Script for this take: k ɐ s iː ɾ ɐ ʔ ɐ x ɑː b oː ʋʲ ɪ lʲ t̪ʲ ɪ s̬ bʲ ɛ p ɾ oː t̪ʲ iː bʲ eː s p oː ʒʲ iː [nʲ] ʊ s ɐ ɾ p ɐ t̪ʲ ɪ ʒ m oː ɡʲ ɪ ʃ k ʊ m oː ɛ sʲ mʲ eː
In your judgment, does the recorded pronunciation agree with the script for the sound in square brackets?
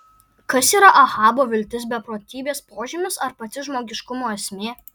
no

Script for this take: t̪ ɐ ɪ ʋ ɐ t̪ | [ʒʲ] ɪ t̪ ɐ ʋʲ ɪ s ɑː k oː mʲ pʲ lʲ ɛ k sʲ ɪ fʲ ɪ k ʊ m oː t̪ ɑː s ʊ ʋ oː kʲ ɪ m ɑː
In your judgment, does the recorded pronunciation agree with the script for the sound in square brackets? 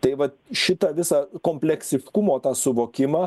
no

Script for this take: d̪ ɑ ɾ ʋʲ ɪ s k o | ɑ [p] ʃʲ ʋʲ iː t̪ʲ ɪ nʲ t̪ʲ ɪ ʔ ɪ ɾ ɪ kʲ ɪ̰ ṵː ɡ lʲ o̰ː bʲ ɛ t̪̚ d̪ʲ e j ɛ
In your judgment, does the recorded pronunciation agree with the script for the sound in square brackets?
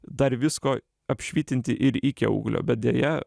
yes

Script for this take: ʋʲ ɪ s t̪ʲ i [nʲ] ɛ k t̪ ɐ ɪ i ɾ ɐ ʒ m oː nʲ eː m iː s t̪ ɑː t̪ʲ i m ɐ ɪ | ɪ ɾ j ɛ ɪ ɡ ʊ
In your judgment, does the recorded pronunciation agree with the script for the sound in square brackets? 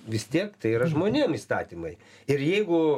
no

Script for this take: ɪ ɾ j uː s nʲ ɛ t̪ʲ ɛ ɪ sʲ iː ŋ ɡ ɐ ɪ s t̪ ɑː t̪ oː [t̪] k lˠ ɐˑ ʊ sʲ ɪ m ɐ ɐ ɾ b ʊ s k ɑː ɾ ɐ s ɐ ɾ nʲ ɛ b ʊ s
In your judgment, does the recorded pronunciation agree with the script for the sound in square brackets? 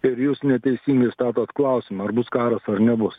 yes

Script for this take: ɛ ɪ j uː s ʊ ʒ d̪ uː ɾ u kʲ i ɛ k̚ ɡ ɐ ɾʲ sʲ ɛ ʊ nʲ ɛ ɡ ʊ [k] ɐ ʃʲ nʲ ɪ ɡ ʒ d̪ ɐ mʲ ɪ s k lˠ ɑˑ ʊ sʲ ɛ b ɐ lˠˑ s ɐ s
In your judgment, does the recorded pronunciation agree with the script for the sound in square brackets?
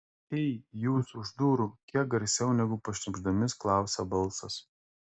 no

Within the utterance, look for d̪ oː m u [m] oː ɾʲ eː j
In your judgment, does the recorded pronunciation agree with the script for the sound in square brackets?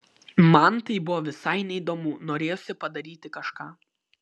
no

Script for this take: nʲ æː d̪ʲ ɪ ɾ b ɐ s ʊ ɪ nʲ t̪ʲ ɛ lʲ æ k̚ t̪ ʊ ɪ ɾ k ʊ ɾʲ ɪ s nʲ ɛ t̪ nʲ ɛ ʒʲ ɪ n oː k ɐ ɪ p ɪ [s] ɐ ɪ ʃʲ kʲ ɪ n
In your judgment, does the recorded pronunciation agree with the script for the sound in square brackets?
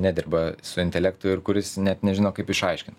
no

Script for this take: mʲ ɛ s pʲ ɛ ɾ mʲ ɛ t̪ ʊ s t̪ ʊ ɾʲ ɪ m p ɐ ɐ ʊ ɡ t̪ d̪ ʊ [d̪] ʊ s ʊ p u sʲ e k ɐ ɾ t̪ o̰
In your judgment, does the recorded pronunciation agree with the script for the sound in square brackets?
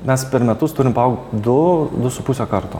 yes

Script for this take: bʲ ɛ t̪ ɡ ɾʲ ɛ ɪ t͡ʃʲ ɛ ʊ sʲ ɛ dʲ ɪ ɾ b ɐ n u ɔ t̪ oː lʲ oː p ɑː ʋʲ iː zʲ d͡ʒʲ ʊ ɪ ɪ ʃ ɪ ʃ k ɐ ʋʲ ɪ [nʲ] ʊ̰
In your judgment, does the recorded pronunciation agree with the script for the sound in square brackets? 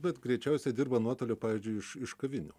yes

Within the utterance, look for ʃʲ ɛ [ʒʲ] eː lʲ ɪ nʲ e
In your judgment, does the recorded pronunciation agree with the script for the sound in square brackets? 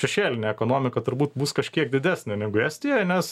no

